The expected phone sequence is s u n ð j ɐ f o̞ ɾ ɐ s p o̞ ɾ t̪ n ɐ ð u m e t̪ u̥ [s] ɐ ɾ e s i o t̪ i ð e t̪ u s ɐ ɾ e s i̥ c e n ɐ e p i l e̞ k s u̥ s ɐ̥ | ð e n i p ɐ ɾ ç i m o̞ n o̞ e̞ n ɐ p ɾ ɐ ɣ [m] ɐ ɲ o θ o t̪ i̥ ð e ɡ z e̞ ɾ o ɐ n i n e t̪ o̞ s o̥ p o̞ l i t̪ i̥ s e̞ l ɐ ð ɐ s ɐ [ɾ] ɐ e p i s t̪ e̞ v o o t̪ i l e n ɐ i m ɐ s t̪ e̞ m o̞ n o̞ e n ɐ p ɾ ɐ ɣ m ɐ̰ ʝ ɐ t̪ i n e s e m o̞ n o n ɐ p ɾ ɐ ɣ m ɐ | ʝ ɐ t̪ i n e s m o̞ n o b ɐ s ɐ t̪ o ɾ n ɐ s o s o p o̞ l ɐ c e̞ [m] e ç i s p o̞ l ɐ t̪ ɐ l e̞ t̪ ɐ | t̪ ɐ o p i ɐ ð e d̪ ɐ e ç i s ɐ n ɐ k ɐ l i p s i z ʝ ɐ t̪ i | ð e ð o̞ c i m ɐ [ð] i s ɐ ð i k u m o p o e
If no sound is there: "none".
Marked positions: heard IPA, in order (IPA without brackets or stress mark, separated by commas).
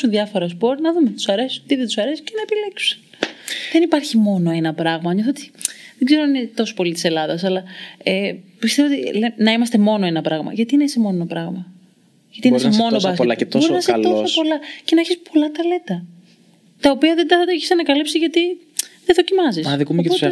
s, m, l, n, z